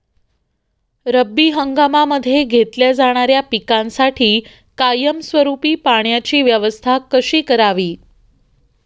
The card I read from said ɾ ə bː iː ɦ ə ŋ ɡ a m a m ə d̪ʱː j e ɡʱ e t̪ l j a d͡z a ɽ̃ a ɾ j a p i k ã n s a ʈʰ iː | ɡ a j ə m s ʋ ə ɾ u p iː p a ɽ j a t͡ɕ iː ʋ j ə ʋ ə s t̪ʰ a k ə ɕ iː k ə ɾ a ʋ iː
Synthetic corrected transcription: ɾ ə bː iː ɦ ə ŋ ɡ a m a m ə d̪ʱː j e ɡʱ e t̪ l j a d͡z a ɽ̃ a ɾ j a p i k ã n s a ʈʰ iː | k a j ə m s ʋ ə ɾ u p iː p a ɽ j a t͡ɕ iː ʋ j ə ʋ ə s t̪ʰ a k ə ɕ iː k ə ɾ a ʋ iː

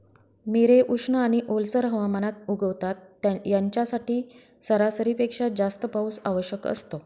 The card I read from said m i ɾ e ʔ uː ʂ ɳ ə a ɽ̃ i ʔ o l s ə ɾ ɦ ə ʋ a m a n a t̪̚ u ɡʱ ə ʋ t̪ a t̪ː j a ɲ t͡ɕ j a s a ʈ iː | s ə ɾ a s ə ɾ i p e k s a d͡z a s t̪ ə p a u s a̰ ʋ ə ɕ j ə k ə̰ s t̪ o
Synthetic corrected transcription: m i ɾ e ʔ u ʂ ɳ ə a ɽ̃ i ʔ o l s ə ɾ ɦ ə ʋ a m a n a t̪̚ u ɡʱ ə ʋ t̪ a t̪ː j a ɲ t͡ɕ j a s a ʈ iː | s ə ɾ a s ə ɾ i p e k ʂ a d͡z a s t̪ ə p a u s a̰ ʋ ə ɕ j ə k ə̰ s t̪ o

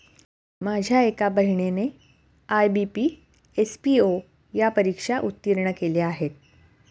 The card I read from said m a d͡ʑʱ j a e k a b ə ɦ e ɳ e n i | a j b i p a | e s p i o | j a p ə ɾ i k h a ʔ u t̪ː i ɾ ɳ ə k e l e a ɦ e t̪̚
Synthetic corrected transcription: m a d͡ʑʱ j a e k a b ə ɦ i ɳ e n e | a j b i p i | e s p i o | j a p ə ɾ i k ʂ a ʔ u t̪ː i ɾ ɳ ə k e l e a ɦ e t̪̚

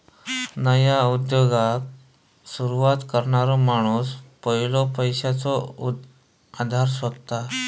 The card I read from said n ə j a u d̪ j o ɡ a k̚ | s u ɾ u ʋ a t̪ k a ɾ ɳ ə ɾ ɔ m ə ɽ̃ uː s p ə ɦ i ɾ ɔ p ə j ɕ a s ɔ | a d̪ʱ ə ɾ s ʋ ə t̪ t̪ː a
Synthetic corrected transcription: n ə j a u d̪ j o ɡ a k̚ | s u ɾ u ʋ a t̪ k ə ɾ ɳ a ɾ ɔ m a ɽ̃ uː s p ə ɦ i l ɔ p ə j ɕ a t͡s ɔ | a d̪ʱ a ɾ s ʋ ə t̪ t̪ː a

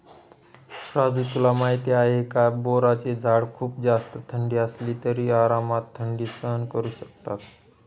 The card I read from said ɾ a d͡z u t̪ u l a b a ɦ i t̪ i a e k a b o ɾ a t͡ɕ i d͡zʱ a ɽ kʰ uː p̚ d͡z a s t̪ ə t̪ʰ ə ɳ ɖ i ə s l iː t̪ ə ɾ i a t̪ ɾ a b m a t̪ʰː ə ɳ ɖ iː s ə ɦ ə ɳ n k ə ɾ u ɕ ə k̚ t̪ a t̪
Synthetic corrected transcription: ɾ a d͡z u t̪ u l a m a ɦ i t̪ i a e k a b o ɾ a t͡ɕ e d͡zʱ a ɽ kʰ uː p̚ d͡z a s t̪ ə t̪ʰ ə ɳ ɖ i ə s l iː t̪ ə ɾ i a ɾ a m a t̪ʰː ə ɳ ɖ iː s ə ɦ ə n k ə ɾ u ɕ ə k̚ t̪ a t̪

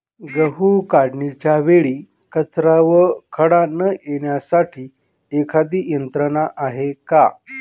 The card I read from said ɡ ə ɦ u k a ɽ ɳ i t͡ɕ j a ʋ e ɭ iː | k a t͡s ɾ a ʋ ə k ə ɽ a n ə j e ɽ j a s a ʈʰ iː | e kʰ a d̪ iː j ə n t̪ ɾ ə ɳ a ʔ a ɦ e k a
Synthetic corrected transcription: ɡ ə ɦ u k a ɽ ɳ i t͡ɕ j a ʋ e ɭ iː | k ə t͡s ɾ a ʋ ə kʰ ə ɽ a n ə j e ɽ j a s a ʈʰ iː | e kʰ a d̪ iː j ə n t̪ ɾ ə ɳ a ʔ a ɦ e k a

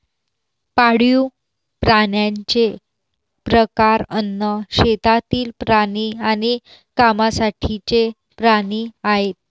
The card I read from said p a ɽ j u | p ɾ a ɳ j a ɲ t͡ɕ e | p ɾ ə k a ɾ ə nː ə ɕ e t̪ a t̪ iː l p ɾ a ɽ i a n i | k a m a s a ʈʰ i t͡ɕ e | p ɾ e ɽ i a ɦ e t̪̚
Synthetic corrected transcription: p a ɽ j u | p ɾ a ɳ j a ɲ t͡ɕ e | p ɾ ə k a ɾ ə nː ə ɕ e t̪ a t̪ iː l p ɾ a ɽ i a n i | k a m a s a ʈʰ i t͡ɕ e | p ɾ a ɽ i a ɦ e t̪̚

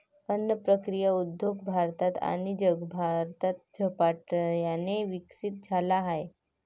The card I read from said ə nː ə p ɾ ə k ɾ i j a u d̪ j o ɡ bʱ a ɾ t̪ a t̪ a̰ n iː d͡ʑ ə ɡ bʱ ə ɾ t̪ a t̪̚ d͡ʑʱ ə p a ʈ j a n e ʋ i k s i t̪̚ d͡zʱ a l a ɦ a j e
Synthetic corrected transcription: ə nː ə p ɾ ə k ɾ i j a u d̪ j o ɡ bʱ a ɾ t̪ a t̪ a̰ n i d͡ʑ ə ɡ bʱ a ɾ t̪ a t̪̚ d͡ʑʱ ə p a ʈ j a n e ʋ i k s i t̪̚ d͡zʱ a l a ɦ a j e

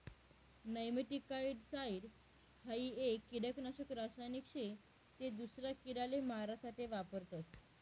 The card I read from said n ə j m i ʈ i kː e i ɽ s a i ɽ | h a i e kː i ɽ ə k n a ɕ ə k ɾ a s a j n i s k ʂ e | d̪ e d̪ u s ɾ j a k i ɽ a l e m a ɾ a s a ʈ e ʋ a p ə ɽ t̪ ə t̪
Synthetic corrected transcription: n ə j m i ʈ i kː a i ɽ s a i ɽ | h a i e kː i ɽ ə k n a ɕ ə k ɾ a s a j n i k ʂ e | t̪ e d̪ u s ɾ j a k i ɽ a l e m a ɾ a s a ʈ e ʋ a p ə ɾ t̪ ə t̪

